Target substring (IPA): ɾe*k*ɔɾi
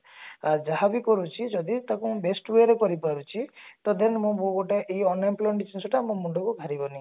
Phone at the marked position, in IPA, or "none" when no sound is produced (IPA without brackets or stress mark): k